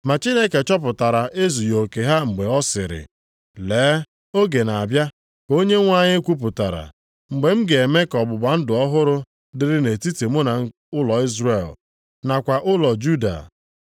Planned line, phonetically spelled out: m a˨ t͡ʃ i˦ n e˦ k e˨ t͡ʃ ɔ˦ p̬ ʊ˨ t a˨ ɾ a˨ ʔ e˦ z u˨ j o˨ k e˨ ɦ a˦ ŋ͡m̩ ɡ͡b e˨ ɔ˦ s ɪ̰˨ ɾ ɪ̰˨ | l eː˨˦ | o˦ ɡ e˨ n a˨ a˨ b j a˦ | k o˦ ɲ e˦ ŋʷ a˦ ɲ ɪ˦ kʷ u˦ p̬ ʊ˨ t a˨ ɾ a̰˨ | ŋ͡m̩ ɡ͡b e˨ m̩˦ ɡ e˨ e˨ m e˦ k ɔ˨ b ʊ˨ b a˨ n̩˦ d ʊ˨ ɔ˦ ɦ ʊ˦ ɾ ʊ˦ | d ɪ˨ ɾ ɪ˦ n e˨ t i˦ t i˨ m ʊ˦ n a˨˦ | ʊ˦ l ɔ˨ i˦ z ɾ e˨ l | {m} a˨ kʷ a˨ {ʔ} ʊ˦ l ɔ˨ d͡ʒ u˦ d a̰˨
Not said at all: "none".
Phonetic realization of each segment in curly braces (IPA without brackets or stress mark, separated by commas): n, ʔ